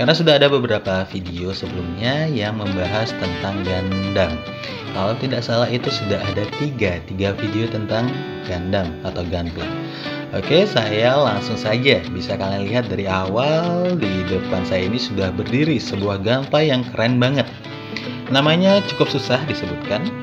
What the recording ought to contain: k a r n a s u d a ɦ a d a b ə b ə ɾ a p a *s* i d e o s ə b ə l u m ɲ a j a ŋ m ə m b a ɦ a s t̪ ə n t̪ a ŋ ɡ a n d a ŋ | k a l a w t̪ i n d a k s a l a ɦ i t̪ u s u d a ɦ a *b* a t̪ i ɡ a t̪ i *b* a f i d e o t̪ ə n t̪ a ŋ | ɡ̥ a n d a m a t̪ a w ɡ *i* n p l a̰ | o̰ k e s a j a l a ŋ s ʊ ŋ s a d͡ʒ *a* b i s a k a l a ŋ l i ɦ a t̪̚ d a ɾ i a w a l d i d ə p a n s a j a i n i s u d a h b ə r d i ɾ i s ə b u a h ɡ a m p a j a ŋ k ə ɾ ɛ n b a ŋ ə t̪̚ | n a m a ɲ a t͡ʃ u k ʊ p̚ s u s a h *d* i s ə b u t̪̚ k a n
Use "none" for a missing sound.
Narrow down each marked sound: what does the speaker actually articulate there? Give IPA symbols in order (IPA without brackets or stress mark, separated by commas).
f, d, ɡ, a, a, d